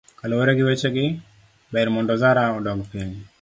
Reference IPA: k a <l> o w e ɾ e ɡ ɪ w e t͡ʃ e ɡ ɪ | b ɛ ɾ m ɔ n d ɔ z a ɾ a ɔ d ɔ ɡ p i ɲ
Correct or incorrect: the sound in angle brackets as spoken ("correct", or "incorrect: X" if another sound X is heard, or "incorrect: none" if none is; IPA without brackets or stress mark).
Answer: correct